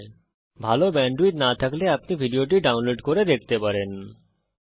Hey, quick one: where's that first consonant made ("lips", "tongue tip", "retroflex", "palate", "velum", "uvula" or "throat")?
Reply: lips